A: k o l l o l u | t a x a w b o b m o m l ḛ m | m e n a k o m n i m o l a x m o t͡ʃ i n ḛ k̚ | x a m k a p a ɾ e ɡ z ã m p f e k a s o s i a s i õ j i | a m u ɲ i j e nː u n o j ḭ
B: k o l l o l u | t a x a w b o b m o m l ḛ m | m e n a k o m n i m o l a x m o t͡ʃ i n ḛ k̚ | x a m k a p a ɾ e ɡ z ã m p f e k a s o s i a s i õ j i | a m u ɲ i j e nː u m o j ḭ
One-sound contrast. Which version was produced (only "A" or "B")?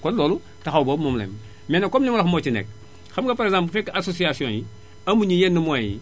B